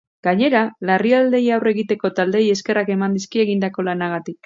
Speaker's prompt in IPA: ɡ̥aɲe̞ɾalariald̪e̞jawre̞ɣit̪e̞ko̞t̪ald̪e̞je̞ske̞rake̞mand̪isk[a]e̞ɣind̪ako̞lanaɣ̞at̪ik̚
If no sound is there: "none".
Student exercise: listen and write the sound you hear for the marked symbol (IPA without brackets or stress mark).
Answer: i